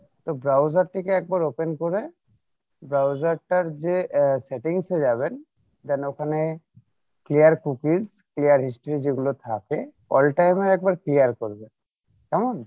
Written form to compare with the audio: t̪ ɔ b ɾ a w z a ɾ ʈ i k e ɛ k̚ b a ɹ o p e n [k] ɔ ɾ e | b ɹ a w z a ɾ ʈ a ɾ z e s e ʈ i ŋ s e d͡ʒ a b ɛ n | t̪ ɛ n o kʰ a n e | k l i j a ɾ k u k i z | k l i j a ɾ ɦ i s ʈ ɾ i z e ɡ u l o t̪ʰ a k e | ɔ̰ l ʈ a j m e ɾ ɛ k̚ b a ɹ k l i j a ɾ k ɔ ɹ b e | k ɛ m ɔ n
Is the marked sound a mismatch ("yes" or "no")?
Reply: no